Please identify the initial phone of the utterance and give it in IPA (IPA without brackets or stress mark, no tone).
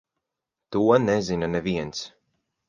t̪